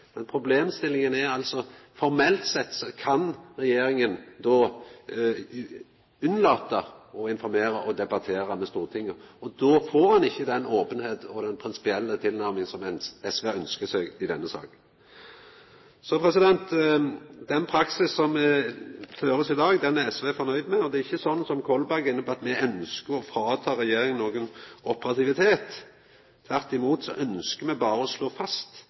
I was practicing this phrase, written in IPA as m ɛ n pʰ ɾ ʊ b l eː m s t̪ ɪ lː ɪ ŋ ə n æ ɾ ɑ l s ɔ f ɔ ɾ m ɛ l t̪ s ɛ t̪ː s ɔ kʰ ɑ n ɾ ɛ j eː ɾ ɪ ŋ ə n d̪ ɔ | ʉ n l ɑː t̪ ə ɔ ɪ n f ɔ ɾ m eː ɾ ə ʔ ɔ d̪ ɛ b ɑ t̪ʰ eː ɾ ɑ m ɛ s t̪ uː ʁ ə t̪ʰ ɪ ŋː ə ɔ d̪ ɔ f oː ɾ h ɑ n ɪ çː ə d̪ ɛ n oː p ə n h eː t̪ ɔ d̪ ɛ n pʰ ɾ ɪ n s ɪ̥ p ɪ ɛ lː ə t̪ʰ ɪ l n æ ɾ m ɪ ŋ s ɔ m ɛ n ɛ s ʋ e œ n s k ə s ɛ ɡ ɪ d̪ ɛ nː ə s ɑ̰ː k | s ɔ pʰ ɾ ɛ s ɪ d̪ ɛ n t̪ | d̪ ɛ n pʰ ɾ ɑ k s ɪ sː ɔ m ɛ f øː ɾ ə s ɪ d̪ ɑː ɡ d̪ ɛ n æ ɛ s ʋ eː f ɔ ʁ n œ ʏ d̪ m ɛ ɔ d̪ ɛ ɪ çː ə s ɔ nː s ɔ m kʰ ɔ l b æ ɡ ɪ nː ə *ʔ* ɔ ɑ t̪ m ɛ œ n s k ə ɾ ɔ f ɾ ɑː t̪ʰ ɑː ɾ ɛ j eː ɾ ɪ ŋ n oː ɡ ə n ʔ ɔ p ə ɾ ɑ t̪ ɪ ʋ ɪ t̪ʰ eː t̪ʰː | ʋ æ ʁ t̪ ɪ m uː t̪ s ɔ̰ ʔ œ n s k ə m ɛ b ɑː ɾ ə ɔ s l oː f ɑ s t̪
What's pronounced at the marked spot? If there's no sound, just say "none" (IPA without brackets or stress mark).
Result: p